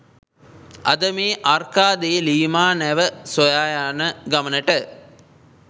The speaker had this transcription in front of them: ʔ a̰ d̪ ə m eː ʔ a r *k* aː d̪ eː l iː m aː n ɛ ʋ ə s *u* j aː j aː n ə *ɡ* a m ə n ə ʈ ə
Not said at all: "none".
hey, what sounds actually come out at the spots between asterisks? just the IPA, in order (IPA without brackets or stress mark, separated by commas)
k, o, ɡ